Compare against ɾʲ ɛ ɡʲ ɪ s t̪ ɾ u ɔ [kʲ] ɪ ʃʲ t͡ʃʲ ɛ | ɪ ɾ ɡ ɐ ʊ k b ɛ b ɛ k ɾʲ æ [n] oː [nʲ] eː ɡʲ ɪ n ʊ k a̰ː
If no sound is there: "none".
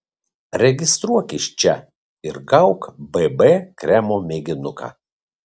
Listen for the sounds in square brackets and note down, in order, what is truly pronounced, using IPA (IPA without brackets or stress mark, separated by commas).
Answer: kʲ, m, mʲ